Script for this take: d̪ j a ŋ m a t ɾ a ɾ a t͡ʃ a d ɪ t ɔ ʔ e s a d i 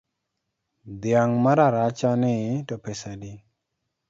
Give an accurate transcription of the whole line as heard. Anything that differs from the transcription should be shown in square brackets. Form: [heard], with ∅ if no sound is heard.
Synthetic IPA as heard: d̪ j a ŋ m a [∅] ɾ a ɾ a t͡ʃ a [n] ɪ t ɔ [p] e s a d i